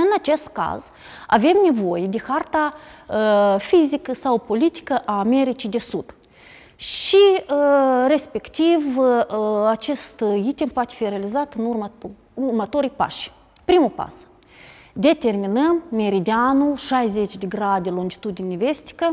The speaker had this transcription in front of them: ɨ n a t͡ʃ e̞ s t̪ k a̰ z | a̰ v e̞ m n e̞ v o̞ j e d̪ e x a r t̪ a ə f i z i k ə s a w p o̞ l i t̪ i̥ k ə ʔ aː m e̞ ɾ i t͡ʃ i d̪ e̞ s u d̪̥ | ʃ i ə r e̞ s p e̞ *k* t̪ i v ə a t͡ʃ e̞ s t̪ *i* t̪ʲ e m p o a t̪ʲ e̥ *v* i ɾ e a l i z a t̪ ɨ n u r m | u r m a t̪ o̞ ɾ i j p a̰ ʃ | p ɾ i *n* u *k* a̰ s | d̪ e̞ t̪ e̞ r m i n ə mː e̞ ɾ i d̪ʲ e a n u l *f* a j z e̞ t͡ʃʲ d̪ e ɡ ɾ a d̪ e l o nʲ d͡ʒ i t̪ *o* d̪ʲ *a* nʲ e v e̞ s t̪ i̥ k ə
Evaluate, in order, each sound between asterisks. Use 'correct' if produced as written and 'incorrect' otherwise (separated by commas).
correct, correct, incorrect, incorrect, incorrect, incorrect, incorrect, incorrect